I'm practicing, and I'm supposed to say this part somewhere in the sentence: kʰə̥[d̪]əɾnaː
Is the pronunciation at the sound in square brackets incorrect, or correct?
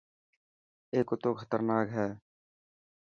incorrect